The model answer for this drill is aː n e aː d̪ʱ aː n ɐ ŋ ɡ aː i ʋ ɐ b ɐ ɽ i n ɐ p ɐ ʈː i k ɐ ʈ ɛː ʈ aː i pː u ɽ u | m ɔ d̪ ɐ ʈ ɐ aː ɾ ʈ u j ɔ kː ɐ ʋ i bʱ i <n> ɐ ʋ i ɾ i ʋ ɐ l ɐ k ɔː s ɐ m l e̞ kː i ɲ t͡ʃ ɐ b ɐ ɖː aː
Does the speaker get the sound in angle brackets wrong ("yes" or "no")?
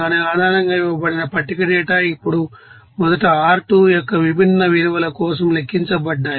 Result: yes